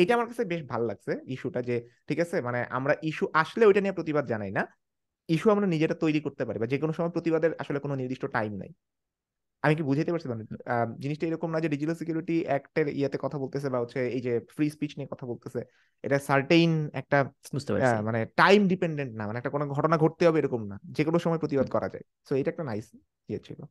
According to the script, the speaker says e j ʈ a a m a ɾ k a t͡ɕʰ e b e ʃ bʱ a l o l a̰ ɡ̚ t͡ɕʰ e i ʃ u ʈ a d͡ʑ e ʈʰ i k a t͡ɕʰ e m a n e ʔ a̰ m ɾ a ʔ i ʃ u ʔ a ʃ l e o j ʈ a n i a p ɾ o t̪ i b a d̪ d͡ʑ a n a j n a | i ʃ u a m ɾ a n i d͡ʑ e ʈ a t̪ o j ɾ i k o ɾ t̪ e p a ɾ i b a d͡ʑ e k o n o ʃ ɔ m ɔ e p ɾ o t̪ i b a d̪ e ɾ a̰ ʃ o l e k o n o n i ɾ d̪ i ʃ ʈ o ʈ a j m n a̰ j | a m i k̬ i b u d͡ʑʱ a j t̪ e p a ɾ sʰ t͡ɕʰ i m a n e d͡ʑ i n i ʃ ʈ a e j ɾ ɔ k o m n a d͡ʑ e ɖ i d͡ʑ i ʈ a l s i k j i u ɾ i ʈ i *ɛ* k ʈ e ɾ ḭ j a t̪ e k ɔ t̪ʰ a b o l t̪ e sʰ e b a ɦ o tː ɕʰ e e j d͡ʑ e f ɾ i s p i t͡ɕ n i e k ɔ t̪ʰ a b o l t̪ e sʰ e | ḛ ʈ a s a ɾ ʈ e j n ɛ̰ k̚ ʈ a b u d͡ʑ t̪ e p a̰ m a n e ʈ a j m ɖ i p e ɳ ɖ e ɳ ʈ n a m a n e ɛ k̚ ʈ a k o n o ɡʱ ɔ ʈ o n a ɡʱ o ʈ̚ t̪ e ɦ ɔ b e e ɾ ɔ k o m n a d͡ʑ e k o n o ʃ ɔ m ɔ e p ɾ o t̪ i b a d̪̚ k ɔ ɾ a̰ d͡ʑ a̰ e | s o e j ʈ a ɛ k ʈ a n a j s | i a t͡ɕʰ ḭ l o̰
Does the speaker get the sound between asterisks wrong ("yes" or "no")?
no